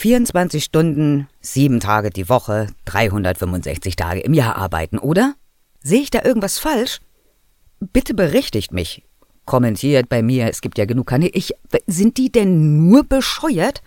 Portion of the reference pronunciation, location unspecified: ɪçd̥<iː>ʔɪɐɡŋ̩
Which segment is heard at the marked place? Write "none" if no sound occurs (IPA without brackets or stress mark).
aː